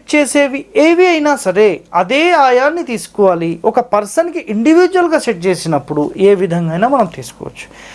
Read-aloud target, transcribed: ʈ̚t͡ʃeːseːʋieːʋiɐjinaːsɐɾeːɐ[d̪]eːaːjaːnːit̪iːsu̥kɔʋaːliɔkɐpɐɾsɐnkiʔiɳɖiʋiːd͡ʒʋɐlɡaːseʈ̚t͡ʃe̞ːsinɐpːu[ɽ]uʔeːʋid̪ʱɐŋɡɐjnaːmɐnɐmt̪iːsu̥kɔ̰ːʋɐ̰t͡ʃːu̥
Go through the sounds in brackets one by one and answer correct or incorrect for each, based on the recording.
correct, correct

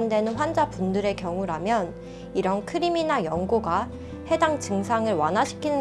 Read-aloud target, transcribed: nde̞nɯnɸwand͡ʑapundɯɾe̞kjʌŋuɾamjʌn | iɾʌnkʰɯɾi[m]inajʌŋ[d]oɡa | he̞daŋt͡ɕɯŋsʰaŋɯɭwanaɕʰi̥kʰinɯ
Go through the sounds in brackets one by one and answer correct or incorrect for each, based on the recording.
correct, incorrect: ɡ

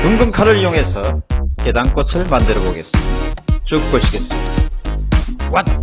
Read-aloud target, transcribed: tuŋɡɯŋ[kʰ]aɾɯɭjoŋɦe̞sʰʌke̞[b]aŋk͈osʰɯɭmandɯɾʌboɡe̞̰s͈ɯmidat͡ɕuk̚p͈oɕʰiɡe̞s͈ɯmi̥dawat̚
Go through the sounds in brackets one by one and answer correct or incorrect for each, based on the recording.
correct, incorrect: d

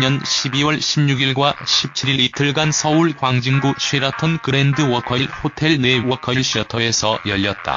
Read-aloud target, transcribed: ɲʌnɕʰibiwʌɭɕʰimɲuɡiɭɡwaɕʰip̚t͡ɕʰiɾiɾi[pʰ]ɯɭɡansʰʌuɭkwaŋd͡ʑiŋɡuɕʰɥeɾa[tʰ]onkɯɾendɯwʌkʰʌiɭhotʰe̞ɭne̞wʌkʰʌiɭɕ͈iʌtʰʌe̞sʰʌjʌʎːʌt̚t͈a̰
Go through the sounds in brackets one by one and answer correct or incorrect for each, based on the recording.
incorrect: tʰ, correct

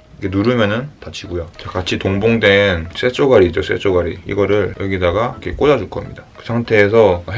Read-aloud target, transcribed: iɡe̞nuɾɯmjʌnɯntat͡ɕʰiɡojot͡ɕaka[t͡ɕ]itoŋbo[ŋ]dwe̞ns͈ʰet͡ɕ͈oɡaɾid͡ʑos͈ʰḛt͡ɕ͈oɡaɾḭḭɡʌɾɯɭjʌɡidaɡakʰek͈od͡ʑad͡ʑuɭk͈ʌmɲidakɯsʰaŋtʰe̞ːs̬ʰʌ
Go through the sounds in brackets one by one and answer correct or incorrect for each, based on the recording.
incorrect: t͡ɕʰ, correct

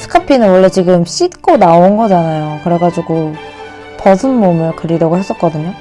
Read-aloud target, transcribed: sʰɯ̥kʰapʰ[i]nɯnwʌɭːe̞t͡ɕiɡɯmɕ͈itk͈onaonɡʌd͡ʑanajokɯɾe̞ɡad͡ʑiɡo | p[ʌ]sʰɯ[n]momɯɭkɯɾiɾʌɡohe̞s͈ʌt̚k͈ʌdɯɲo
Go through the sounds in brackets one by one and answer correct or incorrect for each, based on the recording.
correct, correct, correct

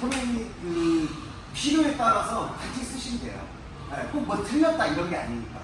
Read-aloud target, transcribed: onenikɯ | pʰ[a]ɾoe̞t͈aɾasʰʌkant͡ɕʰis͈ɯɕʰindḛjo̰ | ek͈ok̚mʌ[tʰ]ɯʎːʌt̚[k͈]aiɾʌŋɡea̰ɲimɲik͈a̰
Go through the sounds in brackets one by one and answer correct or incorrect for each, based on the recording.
incorrect: i, correct, incorrect: t͈

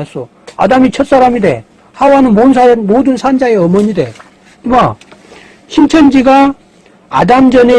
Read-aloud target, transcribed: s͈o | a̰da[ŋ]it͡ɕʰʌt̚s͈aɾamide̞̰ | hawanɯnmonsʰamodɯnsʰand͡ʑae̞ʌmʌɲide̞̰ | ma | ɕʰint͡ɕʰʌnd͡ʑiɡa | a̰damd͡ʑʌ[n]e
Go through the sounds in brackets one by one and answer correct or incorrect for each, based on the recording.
incorrect: m, correct

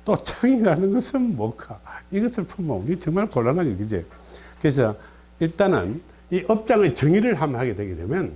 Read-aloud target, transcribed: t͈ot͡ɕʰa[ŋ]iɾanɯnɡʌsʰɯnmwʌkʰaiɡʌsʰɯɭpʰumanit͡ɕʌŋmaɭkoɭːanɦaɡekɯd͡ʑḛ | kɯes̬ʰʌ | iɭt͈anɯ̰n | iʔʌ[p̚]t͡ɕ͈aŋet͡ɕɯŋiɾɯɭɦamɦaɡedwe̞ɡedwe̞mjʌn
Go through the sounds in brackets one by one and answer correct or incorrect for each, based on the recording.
correct, correct

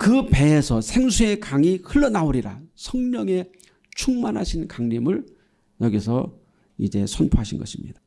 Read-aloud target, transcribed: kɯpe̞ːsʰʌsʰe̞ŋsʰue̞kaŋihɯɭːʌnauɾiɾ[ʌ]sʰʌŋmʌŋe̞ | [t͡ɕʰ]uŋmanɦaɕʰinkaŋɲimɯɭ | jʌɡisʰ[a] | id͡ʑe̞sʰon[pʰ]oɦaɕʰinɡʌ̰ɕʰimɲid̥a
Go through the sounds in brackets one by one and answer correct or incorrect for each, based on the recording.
incorrect: a, correct, incorrect: ʌ, correct

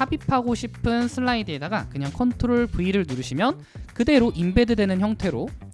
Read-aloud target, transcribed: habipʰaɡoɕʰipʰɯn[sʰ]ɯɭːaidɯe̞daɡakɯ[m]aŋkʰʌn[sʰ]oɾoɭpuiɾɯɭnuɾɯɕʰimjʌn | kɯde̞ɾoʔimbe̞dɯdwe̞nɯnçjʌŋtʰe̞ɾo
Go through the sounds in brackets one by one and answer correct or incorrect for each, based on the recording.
correct, incorrect: ɲ, incorrect: tʰ

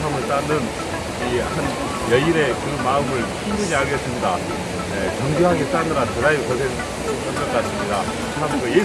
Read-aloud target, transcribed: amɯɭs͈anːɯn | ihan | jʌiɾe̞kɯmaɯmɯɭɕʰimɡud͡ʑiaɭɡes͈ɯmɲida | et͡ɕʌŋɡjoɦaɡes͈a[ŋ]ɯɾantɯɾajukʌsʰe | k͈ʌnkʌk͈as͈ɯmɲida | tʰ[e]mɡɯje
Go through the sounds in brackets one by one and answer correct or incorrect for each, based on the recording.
incorrect: n, incorrect: a

